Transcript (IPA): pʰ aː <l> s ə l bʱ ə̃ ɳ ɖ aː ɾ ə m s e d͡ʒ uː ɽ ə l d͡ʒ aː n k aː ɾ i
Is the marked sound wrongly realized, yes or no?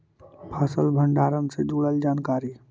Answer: yes